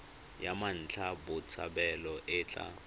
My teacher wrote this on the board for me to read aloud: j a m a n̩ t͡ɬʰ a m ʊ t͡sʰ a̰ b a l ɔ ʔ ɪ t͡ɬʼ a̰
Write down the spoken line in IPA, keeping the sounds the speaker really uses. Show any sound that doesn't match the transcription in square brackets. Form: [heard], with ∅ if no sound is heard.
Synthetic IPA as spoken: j a m a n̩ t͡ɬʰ a [b] ʊ t͡sʰ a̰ b [ɛ] l ɔ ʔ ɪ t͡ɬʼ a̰